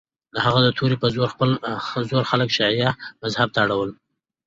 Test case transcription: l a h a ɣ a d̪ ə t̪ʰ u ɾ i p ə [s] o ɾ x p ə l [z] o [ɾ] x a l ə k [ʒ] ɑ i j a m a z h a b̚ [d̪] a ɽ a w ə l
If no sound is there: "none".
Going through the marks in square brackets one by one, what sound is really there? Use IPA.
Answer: z, z, ɾ, ʃ, t̪

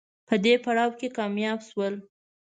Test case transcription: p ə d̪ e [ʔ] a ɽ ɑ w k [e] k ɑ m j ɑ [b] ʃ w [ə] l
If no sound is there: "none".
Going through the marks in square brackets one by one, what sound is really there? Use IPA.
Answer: p, e, b, ə

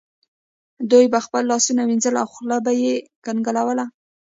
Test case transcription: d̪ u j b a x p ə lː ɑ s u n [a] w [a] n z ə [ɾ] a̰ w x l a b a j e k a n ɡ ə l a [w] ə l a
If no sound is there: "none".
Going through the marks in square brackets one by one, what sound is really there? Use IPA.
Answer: a, i, l, w

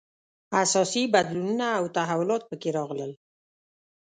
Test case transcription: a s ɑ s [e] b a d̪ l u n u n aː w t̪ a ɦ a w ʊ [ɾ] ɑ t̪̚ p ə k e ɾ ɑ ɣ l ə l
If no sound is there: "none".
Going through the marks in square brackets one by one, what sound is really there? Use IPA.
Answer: i, l

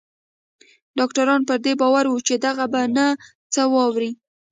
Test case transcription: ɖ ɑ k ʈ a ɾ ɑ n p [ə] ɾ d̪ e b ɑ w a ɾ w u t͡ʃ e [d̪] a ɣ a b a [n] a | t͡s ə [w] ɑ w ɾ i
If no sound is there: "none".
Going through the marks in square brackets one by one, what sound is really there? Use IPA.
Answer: ə, d̪, n, w

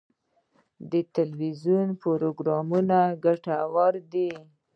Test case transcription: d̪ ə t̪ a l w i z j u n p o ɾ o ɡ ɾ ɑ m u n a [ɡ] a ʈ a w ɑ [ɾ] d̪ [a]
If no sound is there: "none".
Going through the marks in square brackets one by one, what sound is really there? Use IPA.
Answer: ɡ, ɾ, i

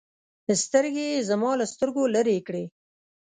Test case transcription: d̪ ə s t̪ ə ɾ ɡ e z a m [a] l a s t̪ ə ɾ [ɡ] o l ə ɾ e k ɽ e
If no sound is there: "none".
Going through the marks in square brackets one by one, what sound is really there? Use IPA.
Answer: ɑ, ɡ

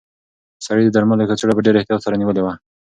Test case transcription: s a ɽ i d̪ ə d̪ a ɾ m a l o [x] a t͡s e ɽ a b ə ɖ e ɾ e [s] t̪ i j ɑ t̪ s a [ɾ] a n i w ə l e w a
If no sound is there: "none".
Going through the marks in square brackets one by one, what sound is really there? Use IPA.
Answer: k, h, ɾ

